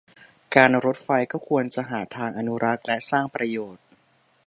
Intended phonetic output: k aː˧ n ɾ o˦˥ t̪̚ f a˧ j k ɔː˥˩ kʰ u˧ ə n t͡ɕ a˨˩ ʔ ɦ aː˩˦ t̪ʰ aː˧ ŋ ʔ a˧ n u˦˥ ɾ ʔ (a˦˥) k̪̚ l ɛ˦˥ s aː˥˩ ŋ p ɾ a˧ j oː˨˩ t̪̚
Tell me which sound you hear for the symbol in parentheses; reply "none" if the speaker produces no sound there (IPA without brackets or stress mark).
a˦˥